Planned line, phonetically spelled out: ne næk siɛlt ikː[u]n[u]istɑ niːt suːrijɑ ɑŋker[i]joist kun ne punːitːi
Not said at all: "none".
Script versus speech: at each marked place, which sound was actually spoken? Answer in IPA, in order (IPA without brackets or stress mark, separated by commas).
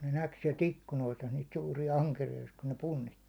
u, o, i